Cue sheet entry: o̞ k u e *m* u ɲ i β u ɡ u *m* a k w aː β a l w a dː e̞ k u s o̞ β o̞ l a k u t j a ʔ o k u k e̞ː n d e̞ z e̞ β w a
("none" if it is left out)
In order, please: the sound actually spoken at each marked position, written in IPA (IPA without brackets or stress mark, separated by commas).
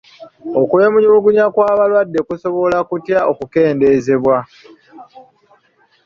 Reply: m, ɲ